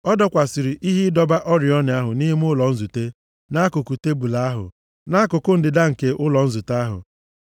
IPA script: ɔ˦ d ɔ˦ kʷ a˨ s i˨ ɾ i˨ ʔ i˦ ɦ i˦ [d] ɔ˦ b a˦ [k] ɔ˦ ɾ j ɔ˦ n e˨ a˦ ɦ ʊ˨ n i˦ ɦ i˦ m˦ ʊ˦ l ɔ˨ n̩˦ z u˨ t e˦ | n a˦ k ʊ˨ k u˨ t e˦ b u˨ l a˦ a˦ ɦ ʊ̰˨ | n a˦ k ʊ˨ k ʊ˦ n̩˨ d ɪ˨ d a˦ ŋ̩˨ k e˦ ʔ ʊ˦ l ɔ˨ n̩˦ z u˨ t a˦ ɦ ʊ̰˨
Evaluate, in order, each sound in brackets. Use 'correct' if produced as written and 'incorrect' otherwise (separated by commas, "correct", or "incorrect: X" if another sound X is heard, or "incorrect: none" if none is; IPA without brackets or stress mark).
correct, incorrect: ʔ